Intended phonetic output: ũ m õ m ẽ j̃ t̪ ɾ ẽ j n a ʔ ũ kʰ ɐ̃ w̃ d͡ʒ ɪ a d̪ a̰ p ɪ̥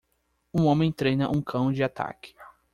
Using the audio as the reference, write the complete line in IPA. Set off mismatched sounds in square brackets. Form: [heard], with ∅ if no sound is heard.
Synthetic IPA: ũ [∅] õ m ẽ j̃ t̪ ɾ [e] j n [ɐ] ʔ ũ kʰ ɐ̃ w̃ d͡ʒ ɪ a [t̪] a̰ [k] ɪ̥